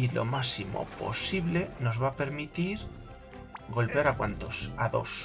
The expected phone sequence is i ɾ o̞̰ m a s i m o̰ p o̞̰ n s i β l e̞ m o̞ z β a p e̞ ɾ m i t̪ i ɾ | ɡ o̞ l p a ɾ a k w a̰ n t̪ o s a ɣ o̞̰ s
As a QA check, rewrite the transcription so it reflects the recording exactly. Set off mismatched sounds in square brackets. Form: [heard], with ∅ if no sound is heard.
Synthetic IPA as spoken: i [l] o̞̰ m a s i m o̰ p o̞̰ [∅] s i β l e̞ [n] o̞ z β a p e̞ ɾ m i t̪ i ɾ | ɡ o̞ l p a ɾ a k w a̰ n t̪ o s a [ð] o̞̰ s